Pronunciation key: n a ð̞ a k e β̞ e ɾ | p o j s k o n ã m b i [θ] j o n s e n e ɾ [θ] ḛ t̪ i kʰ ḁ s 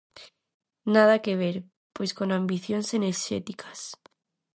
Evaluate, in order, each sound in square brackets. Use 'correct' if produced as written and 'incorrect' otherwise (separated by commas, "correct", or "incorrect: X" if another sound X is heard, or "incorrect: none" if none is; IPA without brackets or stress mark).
correct, incorrect: ʃ